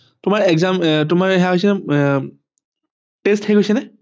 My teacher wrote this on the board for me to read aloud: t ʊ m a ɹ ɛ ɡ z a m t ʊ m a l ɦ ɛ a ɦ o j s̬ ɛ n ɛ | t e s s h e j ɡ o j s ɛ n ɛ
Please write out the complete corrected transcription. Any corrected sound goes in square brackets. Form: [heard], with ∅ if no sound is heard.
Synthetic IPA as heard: t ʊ m a ɹ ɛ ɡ z a m t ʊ m a [ɹ] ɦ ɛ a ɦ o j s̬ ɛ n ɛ | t e s [t] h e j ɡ o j s ɛ n ɛ